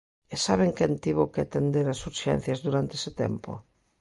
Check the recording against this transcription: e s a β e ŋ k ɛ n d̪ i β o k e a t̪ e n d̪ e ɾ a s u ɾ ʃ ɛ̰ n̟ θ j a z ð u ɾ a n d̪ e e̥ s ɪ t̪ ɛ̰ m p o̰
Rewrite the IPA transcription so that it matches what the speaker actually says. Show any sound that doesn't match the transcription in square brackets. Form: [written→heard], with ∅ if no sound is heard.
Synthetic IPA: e s a β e ŋ k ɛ n [d̪→t̪] i β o k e a t̪ e n d̪ e ɾ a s u ɾ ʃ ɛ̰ n̟ θ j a z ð u ɾ a n [d̪→t̪] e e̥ s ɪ t̪ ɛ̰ m p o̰

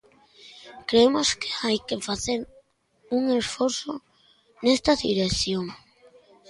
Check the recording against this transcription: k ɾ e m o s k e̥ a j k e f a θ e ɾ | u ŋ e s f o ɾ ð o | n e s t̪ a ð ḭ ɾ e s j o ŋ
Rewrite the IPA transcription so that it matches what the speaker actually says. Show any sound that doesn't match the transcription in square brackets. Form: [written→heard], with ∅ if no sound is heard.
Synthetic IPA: k ɾ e m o s k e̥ a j k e f a θ e ɾ | u ŋ e s f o ɾ [ð→θ] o | n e s t̪ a ð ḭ ɾ e [s→θ] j o ŋ

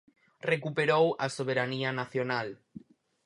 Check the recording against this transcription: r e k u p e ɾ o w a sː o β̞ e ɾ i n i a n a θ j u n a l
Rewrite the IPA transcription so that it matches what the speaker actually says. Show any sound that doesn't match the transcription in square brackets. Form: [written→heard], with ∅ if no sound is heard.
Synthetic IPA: r e k u p e ɾ o w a [sː→s] o β̞ e ɾ [i→a] n i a n a θ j [u→o] n a l

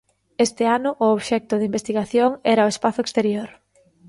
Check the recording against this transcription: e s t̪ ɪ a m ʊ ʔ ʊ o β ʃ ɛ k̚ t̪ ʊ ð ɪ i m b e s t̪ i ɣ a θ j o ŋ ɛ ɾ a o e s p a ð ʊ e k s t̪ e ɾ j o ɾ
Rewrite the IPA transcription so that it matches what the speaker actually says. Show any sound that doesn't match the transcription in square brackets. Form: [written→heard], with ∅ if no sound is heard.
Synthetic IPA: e s t̪ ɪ a [m→n] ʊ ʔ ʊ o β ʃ ɛ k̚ t̪ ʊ ð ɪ i m b e s t̪ i ɣ a θ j o ŋ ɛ ɾ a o e s p a [ð→θ] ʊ e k s t̪ e ɾ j o ɾ

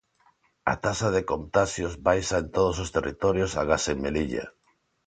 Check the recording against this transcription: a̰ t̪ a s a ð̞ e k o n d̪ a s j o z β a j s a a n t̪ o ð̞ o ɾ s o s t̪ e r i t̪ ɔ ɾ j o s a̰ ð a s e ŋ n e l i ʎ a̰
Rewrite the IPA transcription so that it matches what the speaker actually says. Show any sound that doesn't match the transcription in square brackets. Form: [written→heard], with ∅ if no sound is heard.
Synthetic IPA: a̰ t̪ a s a ð̞ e k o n [d̪→t̪] a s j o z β a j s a [a→e] n t̪ o ð̞ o [ɾ→∅] s o s t̪ e r i t̪ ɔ ɾ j o s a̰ [ð→ɣ] a s e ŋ [n→m] e l i ʎ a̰

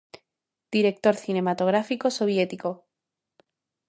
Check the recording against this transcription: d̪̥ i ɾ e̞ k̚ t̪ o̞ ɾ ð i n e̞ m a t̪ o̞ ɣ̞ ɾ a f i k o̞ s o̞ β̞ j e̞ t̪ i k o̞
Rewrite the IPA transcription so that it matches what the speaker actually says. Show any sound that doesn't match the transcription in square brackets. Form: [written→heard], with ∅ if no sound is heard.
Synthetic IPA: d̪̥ i ɾ e̞ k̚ t̪ o̞ ɾ [ð→θ] i n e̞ m a t̪ o̞ ɣ̞ ɾ a f i k o̞ s o̞ β̞ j e̞ t̪ i k o̞

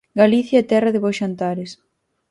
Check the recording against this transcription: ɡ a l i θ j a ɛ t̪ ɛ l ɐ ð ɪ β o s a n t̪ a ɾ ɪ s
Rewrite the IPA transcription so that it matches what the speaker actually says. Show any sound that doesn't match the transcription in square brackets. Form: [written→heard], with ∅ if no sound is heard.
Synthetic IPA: ɡ a l i θ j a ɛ t̪ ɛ [l→r] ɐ ð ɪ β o [s→ʃ] a n t̪ a ɾ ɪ s

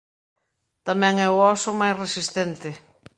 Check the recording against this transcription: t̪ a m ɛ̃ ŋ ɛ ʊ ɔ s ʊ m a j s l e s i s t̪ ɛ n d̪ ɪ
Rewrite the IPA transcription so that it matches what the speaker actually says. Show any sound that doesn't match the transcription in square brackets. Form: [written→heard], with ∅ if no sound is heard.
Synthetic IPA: t̪ a m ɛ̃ ŋ ɛ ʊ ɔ s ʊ m a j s [l→r] e s i s t̪ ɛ n [d̪→t̪] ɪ

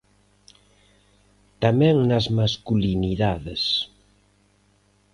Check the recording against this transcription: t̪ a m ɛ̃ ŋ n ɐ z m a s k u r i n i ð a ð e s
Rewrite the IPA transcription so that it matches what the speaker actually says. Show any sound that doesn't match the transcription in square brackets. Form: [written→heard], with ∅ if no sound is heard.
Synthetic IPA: t̪ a m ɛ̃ ŋ n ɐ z m a s k u [r→l] i n i ð a ð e s

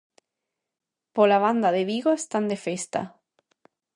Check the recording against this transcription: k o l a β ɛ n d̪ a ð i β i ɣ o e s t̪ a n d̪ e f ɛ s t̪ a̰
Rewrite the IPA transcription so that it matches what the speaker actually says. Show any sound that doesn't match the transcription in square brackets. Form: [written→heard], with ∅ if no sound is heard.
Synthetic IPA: [k→p] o l a β [ɛ→a] n d̪ a ð [i→e] β i ɣ o e s t̪ a n d̪ e f [ɛ→e] s t̪ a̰

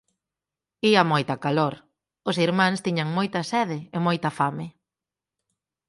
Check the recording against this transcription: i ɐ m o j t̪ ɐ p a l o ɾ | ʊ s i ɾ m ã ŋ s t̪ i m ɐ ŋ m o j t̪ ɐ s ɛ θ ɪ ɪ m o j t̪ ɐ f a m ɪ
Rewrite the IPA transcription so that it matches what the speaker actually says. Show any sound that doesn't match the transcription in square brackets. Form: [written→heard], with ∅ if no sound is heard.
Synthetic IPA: i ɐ m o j t̪ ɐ [p→k] a l o ɾ | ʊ s i ɾ m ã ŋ s t̪ i [m→ɲ] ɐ ŋ m o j t̪ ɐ s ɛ [θ→ð] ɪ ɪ m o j t̪ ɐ f a m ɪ

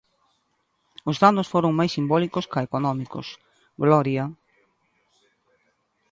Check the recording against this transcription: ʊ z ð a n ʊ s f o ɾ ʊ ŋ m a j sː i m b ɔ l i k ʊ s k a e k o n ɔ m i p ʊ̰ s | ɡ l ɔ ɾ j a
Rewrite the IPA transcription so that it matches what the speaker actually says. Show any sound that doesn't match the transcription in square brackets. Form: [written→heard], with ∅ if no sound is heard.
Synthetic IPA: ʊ z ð a n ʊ s f o ɾ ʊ ŋ m a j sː i m b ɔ l i k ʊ s k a e k o n ɔ m i [p→k] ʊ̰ s | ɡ l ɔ ɾ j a

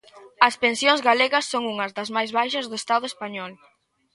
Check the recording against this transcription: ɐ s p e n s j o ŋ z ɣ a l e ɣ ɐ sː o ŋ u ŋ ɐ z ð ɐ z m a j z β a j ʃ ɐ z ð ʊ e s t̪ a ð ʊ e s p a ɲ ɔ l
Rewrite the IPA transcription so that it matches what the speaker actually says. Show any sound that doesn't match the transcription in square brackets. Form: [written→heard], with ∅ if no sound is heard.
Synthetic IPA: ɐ s p e n s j o ŋ z ɣ a l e ɣ ɐ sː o ŋ u ŋ ɐ z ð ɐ z m a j z β a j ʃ ɐ z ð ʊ e s t̪ a ð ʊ e s p a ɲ ɔ l

